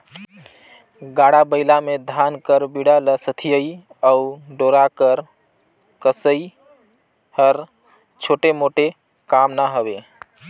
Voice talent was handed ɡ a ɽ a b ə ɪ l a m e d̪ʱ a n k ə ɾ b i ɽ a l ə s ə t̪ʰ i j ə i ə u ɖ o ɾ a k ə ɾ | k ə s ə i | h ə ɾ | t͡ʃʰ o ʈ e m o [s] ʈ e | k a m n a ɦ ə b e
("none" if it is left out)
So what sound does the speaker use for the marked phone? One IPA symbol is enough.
none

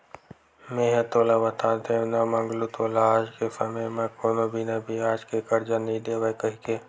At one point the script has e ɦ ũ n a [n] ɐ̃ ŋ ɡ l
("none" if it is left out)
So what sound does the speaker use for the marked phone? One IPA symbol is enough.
m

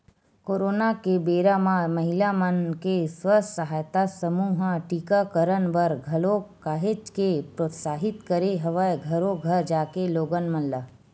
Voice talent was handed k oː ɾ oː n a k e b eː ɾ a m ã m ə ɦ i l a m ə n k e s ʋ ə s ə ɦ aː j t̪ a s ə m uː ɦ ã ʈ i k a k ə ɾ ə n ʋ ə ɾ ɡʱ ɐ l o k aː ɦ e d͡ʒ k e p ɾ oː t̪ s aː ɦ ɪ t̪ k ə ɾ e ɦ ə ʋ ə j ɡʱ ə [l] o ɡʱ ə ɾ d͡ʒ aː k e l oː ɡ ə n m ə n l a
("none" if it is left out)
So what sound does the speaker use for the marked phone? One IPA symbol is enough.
ɾ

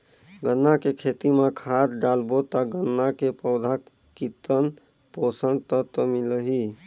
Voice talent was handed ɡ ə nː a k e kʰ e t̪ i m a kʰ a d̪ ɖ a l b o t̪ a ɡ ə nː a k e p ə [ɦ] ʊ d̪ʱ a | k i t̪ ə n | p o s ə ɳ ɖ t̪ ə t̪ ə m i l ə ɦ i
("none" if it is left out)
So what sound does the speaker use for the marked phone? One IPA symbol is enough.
none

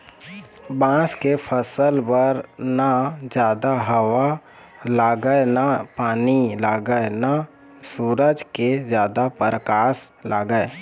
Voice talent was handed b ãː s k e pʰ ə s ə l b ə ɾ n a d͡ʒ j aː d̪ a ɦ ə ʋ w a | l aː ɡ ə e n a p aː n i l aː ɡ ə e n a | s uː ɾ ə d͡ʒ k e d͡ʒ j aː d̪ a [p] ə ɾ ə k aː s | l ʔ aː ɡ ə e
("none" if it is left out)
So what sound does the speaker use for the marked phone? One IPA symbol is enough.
p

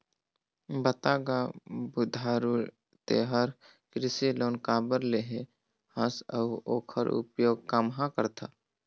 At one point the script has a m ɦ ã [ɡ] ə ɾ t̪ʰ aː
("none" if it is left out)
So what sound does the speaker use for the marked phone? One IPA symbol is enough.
k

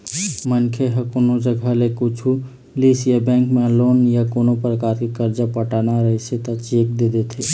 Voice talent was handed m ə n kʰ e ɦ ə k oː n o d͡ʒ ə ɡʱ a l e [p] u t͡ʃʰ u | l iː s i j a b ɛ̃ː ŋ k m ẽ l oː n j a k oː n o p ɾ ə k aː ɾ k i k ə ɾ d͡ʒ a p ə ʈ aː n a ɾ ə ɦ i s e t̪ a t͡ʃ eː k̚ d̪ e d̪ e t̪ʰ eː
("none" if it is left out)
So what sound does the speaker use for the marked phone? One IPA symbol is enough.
k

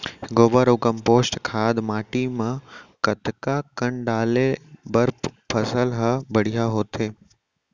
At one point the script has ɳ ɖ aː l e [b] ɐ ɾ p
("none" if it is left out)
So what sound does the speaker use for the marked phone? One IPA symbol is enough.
b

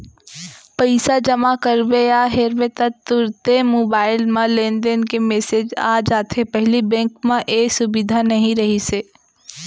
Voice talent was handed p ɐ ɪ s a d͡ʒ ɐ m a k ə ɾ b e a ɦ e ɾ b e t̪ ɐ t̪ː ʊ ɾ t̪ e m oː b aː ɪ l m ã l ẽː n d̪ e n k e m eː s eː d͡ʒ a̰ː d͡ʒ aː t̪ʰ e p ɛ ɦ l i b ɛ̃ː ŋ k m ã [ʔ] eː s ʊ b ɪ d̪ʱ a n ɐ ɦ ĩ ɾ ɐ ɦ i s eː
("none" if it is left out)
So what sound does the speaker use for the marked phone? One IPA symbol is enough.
ʔ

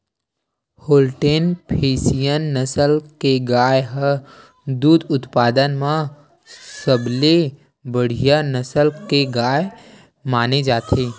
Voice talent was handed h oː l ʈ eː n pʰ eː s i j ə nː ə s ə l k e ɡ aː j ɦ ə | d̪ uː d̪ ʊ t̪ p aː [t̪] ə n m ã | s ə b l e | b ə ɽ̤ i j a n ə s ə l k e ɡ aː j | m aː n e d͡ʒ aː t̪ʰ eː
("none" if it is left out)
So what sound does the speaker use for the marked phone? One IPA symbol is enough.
d̪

